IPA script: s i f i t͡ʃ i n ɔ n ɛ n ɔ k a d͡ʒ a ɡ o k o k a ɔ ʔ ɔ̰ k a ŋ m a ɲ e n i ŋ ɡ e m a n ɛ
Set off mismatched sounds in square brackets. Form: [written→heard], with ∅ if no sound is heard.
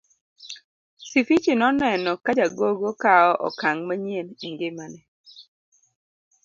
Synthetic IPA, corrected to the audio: s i f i t͡ʃ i n ɔ n ɛ n ɔ k a d͡ʒ a ɡ o [k→ɡ] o k a ɔ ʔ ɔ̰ k a ŋ m a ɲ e n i ŋ ɡ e m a n ɛ